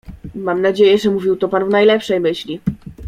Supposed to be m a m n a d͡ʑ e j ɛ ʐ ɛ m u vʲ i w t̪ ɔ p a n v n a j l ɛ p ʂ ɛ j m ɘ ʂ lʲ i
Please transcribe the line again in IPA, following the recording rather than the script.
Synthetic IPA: m a m n a d͡ʑ e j ɛ ʐ ɛ m u vʲ i w t̪ ɔ p a n v n a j l ɛ p ʂ ɛ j m ɘ ɕ lʲ i